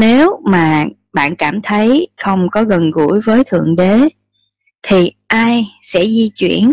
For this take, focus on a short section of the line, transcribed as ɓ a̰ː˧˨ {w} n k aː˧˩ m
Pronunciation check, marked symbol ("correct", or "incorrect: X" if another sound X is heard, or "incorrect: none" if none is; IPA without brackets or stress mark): incorrect: none